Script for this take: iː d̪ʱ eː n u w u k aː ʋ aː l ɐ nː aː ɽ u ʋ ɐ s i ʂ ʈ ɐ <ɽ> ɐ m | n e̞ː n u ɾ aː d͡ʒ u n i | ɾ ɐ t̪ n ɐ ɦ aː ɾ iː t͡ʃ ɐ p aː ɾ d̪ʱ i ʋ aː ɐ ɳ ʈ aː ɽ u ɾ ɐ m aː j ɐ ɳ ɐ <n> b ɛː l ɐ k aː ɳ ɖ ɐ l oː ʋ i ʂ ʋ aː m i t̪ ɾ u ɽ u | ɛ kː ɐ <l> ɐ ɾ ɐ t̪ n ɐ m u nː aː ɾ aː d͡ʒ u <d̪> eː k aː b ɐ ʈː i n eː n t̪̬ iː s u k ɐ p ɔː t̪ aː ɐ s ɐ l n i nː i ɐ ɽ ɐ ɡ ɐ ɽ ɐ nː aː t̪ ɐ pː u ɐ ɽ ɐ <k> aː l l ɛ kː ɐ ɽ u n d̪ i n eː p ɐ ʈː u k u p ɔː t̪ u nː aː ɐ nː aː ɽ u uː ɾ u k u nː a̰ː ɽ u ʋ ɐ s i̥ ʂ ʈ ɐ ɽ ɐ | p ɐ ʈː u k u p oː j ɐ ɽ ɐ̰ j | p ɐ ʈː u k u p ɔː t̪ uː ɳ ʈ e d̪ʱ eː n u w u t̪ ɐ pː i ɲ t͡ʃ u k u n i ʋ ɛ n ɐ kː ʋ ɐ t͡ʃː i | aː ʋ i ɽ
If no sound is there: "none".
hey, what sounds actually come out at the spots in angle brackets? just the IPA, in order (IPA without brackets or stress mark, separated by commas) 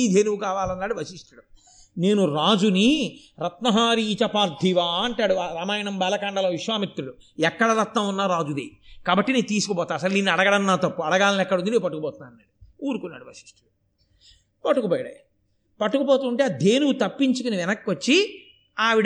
ɽ, m, ɽ, d̪, ɡ